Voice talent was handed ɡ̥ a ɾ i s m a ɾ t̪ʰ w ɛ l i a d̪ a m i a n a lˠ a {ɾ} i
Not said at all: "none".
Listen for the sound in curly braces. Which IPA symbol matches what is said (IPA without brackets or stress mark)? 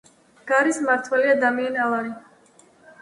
ɾ